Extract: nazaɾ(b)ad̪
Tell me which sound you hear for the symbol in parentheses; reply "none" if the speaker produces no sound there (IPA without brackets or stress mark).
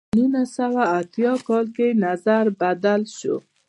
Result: b